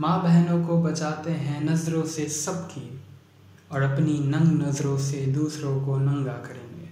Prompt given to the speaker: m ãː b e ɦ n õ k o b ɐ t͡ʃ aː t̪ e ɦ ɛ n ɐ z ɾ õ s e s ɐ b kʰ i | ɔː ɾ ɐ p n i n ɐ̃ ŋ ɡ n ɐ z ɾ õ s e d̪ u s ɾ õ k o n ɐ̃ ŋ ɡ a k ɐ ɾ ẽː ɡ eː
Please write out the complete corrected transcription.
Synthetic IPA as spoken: m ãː b ɛ ɦ n õ k o b ɐ t͡ʃ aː t̪ e ɦ ɛ̃ n ɐ z ɾ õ s e s ɐ b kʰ i | ɔː ɾ ɐ p n i n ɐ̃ ŋ ɡ n ɐ z ɾ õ s e d̪ uː s ɾ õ k o n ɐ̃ ŋ ɡ a k ɐ ɾ ẽː ɡ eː